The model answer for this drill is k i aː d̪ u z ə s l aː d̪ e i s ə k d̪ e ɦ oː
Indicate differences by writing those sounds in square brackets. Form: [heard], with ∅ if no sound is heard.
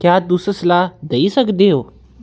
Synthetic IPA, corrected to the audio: k [j] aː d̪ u [s] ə s l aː d̪ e i s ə k d̪ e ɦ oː